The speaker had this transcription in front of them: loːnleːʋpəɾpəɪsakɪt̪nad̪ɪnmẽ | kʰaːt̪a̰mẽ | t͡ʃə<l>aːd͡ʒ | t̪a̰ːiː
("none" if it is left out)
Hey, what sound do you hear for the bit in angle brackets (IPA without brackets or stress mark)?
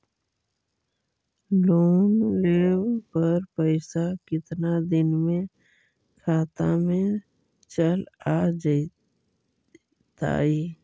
l